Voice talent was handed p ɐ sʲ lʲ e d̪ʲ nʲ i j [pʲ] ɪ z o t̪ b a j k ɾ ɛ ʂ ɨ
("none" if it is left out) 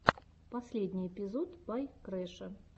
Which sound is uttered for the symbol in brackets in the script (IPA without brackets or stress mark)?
pʲ